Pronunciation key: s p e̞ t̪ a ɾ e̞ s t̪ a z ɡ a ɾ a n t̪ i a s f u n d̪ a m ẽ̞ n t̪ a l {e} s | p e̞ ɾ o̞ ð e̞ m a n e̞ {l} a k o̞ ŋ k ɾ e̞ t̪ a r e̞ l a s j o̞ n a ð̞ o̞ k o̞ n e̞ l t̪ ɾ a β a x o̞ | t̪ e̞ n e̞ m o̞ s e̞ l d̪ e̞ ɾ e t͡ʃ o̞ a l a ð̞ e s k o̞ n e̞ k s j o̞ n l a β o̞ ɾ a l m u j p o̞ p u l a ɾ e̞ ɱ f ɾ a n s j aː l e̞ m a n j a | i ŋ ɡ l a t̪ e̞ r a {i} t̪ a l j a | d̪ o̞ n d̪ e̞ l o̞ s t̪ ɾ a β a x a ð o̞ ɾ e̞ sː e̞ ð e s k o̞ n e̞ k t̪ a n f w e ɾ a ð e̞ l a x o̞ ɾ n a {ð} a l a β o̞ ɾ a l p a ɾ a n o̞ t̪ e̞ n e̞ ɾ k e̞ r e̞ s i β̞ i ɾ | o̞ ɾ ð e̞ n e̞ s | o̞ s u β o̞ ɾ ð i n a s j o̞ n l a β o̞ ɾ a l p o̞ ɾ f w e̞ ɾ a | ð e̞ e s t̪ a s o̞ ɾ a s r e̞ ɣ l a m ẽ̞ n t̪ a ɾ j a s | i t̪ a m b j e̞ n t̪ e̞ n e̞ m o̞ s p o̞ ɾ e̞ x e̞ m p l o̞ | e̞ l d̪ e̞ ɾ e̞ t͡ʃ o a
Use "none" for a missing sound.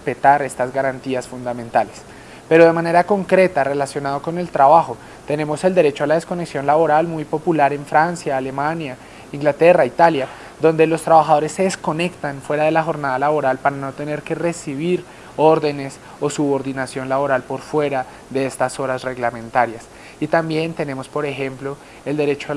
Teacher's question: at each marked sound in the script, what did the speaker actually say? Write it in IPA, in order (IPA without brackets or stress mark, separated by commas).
e, ɾ, i, ð